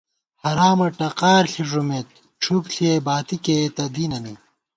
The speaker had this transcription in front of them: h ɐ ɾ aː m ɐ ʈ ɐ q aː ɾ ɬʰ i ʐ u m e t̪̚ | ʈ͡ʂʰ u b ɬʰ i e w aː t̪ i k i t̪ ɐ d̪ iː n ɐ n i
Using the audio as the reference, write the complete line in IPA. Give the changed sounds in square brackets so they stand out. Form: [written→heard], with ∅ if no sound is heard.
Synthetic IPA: h ɐ ɾ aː m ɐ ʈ ɐ q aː ɾ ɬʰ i ʐ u m e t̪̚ | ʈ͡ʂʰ u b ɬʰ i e [w→b] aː t̪ i k [i→e] t̪ ɐ d̪ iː n ɐ n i